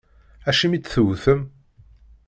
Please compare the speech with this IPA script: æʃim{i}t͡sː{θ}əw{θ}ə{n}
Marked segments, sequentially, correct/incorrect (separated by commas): correct, correct, correct, incorrect